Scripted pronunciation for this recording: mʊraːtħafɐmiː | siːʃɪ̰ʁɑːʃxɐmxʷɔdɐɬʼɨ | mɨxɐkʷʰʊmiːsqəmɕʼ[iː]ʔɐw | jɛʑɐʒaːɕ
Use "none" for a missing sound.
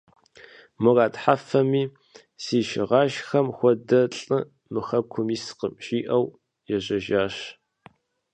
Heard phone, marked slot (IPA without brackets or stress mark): iː